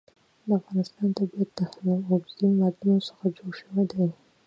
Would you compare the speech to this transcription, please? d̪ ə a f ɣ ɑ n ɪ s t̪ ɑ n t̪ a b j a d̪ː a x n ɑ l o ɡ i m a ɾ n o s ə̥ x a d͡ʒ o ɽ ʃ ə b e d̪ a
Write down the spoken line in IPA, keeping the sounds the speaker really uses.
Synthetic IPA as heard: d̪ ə a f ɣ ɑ n ɪ s t̪ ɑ n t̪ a b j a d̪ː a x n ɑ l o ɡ i m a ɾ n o s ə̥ x a d͡ʒ o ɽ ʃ ə w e d̪ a